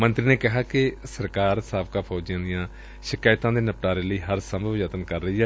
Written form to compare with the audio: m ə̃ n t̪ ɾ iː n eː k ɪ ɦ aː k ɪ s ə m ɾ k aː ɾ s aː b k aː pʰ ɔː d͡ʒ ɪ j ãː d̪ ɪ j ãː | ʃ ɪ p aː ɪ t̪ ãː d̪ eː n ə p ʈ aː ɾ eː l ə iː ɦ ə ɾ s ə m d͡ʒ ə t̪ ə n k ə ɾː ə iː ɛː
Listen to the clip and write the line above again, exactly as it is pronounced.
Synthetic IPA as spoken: m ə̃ n t̪ ɾ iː n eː k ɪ ɦ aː k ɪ s ə ɾ k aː ɾ s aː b k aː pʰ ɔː d͡ʒ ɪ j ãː d̪ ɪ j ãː | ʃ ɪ k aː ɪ t̪ ãː d̪ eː n ə p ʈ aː ɾ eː l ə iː ɦ ə ɾ s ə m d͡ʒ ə t̪ ə n k ə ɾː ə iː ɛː